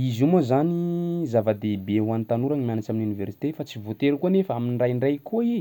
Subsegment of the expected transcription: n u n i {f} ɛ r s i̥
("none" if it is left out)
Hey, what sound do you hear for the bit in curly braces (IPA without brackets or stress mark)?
v